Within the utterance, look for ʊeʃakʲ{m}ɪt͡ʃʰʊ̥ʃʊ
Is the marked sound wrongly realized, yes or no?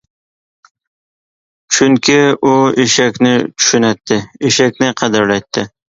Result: yes